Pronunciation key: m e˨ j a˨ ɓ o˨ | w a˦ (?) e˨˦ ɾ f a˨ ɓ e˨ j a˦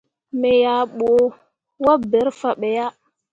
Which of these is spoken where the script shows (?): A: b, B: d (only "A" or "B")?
A